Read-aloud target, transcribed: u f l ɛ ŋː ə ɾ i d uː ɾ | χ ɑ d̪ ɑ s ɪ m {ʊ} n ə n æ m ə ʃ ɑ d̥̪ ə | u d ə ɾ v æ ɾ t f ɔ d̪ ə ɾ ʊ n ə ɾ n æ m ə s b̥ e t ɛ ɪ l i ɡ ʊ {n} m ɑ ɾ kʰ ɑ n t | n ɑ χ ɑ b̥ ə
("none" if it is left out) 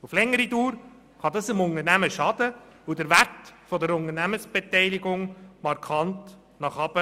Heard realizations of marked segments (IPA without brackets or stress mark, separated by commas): ʊ, ŋ